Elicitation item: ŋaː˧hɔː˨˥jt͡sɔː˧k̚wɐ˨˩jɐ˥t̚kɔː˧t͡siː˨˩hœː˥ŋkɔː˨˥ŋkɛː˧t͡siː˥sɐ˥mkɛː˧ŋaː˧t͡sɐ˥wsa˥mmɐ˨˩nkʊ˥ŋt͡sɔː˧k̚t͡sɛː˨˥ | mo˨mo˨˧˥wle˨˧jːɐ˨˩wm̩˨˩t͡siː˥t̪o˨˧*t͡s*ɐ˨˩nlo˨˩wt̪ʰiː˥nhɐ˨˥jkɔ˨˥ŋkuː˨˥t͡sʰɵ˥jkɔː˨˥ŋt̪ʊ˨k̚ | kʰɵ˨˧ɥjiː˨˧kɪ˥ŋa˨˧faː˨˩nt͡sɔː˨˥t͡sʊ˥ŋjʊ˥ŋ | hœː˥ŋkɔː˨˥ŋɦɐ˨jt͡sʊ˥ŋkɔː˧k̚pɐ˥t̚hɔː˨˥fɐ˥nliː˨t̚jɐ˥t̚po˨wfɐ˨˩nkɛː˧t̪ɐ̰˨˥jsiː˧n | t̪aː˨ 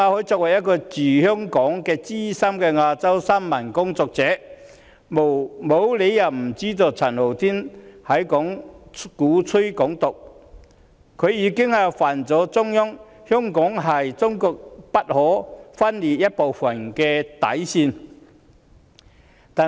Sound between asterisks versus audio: incorrect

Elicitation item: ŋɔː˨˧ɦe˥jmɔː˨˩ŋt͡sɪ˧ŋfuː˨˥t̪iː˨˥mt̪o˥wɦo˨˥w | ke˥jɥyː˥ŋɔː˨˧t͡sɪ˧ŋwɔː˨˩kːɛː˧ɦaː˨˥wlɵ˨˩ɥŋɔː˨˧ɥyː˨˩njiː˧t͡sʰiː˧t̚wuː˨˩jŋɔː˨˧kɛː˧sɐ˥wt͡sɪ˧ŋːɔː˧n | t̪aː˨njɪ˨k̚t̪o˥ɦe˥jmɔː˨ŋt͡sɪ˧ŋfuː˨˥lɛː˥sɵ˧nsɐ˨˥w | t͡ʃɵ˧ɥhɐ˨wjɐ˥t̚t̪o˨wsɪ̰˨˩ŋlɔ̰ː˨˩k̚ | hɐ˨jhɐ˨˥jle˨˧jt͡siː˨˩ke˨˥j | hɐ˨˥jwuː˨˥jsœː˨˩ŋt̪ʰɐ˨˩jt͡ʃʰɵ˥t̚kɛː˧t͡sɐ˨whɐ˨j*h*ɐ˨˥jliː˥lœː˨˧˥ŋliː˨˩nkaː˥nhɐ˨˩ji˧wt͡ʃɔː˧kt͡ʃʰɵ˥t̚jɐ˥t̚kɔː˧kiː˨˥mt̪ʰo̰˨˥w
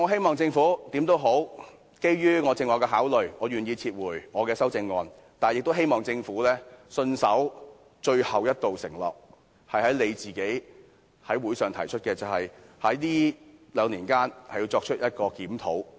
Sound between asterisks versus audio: correct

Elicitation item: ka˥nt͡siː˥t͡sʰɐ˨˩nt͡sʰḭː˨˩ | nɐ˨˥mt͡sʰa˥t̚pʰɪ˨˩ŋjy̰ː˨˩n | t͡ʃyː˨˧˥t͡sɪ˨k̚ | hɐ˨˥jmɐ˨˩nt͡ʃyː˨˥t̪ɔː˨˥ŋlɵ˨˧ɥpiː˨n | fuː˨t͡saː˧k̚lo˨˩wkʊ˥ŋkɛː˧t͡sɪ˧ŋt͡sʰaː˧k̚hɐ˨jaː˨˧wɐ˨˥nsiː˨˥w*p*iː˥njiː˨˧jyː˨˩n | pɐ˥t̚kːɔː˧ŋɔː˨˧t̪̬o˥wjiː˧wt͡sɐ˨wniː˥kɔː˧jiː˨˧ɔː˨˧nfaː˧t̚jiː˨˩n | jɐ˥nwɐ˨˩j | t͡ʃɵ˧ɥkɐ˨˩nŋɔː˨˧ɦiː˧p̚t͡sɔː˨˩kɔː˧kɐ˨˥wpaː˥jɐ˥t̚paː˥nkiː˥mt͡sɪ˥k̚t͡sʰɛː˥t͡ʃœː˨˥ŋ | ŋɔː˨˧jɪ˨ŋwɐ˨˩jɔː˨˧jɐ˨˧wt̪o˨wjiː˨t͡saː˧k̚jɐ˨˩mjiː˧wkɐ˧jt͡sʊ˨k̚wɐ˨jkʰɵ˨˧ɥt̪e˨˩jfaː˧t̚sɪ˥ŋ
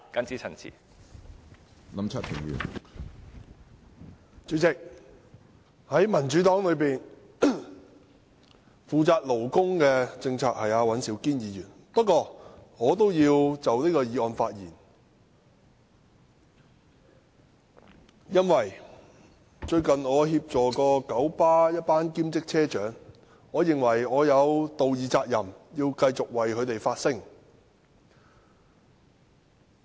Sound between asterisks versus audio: incorrect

